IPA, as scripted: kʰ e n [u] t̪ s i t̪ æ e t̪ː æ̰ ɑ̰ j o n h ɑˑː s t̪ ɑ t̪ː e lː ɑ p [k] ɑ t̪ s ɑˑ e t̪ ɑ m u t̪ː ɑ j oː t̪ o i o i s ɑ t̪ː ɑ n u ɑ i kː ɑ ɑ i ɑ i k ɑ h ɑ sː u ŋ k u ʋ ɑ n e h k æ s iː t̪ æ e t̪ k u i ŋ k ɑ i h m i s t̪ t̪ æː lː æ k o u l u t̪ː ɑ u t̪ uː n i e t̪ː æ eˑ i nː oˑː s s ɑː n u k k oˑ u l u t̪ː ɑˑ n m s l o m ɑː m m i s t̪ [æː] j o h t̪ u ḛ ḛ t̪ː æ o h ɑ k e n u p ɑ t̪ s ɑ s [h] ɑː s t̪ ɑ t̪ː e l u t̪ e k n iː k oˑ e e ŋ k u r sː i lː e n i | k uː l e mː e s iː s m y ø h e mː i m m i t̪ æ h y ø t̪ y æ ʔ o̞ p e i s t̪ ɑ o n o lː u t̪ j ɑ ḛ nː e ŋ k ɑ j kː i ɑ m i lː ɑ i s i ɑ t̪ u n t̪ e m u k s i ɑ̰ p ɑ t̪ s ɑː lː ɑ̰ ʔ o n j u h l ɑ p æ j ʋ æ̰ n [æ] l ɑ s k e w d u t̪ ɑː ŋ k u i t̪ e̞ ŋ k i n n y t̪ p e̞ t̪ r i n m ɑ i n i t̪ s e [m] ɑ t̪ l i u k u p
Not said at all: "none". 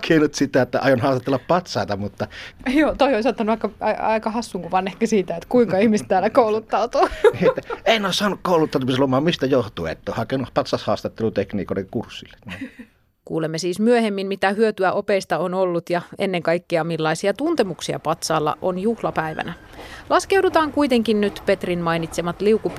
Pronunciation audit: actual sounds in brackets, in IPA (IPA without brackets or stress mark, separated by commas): u, p, æ, h, æ, m